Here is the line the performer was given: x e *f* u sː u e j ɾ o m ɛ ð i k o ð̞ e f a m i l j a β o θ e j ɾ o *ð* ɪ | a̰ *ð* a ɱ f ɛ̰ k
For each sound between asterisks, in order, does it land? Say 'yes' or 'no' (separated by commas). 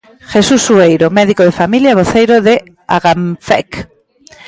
no, yes, no